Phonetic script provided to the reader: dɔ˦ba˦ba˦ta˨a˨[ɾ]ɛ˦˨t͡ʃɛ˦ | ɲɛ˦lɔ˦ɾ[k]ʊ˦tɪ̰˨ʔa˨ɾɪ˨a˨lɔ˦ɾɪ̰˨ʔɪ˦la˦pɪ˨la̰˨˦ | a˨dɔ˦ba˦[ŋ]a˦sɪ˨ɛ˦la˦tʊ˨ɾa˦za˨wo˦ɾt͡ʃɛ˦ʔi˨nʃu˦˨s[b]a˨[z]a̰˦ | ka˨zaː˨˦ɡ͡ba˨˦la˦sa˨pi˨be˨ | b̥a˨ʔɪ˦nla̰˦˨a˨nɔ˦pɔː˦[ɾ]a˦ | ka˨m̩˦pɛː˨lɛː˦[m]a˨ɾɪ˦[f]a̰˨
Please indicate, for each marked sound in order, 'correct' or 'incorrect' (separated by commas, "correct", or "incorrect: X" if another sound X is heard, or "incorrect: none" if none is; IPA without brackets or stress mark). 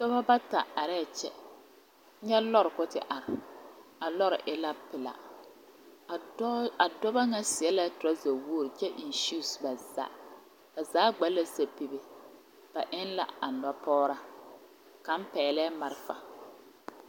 correct, correct, correct, correct, correct, correct, correct, correct